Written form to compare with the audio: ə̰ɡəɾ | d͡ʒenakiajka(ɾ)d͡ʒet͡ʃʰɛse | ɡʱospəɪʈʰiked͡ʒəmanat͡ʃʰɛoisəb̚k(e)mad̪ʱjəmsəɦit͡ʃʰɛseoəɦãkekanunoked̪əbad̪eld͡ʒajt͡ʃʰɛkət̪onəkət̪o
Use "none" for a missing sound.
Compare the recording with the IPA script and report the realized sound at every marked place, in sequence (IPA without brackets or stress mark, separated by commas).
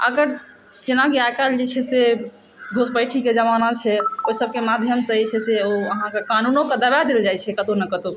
l, e